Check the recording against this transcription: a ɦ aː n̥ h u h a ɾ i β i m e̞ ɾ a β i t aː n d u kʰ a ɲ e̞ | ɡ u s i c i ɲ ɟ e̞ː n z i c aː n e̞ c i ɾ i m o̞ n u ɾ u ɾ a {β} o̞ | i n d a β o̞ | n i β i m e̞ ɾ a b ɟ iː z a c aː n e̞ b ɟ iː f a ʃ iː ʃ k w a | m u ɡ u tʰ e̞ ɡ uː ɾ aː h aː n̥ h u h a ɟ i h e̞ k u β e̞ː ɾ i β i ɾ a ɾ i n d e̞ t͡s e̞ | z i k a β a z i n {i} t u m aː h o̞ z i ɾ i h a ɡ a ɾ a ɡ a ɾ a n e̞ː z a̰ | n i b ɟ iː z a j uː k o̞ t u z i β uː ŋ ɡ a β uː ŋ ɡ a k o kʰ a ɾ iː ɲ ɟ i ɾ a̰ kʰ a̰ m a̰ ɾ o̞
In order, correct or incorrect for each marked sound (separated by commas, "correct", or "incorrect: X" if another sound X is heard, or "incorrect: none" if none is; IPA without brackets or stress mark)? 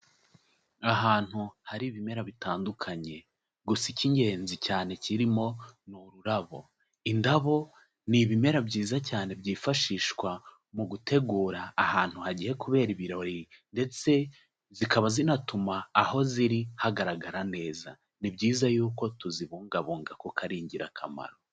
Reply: correct, incorrect: a